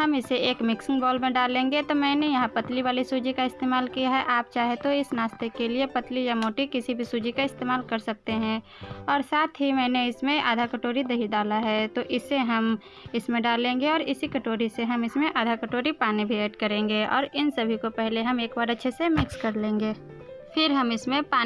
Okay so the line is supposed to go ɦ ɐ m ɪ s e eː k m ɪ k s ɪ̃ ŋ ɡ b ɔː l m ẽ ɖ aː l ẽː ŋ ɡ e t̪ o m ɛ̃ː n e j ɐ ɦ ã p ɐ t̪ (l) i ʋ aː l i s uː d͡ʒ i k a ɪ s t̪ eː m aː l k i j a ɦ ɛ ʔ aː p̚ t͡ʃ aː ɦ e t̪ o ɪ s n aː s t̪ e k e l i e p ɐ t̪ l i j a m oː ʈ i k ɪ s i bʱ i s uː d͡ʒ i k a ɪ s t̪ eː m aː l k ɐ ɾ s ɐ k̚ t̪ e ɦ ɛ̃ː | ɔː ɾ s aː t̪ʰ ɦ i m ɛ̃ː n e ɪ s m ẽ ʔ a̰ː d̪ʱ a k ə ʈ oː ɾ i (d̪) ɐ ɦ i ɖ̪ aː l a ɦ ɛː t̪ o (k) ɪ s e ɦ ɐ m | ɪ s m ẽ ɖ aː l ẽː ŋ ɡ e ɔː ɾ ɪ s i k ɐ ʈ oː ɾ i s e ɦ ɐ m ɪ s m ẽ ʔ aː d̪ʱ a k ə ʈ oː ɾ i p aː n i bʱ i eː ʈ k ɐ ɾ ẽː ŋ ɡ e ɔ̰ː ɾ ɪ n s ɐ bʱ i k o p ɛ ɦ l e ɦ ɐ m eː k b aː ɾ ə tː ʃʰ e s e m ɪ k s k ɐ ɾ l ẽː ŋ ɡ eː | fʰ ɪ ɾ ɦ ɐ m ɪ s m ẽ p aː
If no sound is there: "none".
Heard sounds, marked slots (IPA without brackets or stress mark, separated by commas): l, d̪, ʔ